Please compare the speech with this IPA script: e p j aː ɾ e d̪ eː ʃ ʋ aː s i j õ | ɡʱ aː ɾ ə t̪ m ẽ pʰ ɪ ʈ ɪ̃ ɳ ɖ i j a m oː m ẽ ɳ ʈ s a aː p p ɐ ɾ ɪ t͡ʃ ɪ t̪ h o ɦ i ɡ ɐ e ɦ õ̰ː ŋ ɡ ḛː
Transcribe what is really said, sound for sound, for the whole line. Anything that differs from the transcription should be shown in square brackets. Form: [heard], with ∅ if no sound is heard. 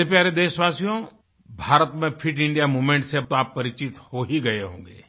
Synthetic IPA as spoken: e p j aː ɾ e d̪ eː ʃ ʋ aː s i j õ | [bʱ] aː ɾ ə t̪ m ẽ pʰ ɪ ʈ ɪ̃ ɳ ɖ i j a m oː m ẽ ɳ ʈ s [e] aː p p ɐ ɾ ɪ t͡ʃ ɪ t̪ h o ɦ i ɡ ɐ e ɦ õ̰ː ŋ ɡ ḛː